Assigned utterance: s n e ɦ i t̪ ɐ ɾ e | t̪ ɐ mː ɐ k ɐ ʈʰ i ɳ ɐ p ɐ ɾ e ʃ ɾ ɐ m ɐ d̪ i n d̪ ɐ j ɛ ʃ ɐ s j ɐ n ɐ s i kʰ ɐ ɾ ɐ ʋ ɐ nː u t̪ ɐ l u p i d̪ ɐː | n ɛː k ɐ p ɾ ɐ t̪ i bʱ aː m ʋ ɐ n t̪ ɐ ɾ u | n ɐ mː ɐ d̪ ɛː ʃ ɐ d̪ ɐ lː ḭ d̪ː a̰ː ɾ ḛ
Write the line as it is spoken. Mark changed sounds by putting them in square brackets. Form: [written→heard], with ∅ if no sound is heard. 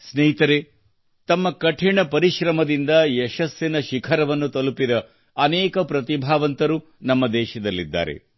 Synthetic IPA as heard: s n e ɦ i t̪ ɐ ɾ e | t̪ ɐ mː ɐ k ɐ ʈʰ i ɳ ɐ p ɐ ɾ [e→i] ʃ ɾ ɐ m ɐ d̪ i n d̪ ɐ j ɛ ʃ ɐ s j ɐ n ɐ [s→ʃ] i kʰ ɐ ɾ ɐ ʋ ɐ nː u t̪ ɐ l u p i d̪ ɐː | n ɛː k ɐ p ɾ ɐ t̪ i bʱ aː [m→∅] ʋ ɐ n t̪ ɐ ɾ u | n ɐ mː ɐ d̪ ɛː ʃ ɐ d̪ ɐ lː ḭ d̪ː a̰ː ɾ ḛ